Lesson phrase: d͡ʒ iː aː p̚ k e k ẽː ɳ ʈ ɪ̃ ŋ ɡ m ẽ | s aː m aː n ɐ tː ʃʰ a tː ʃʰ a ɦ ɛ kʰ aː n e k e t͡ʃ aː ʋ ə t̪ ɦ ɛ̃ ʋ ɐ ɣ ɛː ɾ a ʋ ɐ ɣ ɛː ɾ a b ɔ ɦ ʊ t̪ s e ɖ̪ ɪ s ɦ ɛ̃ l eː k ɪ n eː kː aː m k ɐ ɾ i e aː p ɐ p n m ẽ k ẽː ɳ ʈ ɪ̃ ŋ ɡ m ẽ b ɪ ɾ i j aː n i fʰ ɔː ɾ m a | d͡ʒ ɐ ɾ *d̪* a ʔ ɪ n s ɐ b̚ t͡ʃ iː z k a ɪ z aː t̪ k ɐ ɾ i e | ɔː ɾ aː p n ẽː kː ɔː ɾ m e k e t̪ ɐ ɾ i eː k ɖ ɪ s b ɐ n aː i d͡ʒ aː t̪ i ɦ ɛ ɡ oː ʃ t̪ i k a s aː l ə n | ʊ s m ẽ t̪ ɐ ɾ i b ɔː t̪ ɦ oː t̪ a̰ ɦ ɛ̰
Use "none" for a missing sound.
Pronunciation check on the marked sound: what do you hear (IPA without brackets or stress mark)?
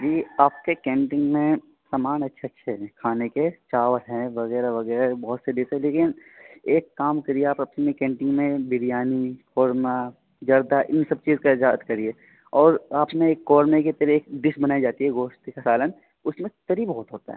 d̪